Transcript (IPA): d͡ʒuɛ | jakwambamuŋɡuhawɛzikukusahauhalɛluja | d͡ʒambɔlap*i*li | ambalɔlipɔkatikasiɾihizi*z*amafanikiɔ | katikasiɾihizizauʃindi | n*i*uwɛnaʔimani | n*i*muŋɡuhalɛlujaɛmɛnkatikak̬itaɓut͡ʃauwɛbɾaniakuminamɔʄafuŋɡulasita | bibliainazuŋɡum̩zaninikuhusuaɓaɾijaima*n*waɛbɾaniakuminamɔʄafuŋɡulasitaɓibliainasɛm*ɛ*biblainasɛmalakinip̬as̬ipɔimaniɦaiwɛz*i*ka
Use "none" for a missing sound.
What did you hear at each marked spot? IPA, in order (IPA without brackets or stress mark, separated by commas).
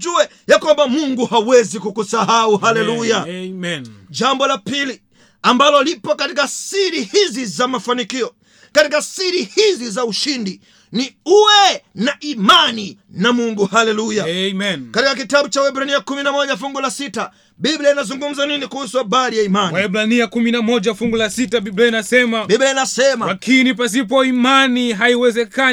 i, z, i, a, n, a, ɛ